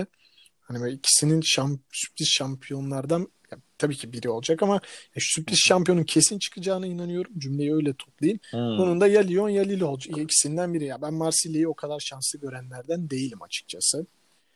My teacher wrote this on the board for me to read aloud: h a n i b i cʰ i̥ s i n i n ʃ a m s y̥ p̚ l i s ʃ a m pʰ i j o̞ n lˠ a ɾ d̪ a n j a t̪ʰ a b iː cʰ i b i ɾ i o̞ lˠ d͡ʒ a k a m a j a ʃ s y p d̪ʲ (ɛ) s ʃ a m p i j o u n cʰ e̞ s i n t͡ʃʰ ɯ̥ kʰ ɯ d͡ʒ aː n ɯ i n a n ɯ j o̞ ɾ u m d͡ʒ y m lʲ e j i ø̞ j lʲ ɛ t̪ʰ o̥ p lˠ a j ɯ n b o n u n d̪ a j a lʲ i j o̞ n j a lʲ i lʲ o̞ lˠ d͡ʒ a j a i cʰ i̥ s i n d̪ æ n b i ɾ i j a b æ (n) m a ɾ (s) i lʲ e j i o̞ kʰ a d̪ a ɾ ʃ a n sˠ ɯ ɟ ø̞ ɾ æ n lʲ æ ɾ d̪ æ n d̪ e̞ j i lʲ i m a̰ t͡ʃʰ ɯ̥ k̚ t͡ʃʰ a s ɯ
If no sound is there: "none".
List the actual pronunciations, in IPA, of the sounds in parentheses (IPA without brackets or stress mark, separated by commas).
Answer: i, n, s